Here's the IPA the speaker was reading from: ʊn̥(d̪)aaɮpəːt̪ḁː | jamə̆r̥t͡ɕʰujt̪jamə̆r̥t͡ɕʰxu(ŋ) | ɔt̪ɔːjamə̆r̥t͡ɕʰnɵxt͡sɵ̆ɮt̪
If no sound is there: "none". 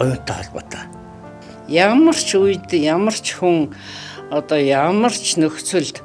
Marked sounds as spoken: t̪, ŋ

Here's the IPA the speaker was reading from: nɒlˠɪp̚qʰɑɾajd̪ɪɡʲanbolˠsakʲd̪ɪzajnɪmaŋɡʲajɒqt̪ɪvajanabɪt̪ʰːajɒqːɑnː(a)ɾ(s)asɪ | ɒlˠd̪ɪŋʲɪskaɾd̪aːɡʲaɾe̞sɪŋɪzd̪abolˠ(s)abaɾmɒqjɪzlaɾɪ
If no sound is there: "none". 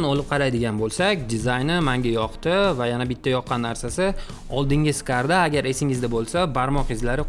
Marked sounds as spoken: a, s, s

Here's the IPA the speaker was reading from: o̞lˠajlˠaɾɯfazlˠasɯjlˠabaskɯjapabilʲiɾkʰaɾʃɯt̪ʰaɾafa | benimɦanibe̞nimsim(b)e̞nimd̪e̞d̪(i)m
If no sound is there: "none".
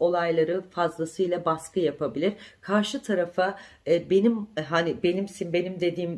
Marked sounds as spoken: b, iː

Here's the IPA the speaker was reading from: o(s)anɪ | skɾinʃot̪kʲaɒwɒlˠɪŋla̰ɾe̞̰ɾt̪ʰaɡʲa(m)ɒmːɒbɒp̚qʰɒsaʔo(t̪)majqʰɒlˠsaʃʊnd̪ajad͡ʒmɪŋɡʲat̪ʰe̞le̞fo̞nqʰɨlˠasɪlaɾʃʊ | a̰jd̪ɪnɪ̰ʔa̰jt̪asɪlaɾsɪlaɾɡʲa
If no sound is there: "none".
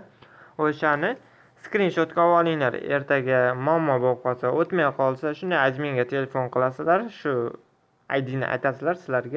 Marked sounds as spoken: ʃ, m, t̪

